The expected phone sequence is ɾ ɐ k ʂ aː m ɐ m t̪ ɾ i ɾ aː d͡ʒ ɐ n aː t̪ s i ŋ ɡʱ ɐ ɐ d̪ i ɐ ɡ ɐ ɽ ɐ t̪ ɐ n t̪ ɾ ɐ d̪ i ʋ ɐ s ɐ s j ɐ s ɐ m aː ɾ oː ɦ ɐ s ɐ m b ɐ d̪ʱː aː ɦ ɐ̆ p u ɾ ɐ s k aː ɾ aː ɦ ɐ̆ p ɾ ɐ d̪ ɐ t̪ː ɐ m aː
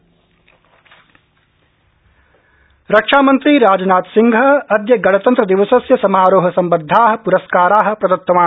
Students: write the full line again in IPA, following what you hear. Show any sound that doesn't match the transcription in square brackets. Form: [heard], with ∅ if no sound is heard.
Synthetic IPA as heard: ɾ ɐ k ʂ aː m ɐ [n] t̪ ɾ i ɾ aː d͡ʒ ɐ n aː t̪ s i ŋ ɡʱ ɐ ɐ d̪ [j] ɐ ɡ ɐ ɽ ɐ t̪ ɐ n t̪ ɾ ɐ d̪ i ʋ ɐ s ɐ s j ɐ s ɐ m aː ɾ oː ɦ ɐ s ɐ m b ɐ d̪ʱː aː ɦ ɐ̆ p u ɾ ɐ s k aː ɾ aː ɦ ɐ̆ p ɾ ɐ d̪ ɐ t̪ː ɐ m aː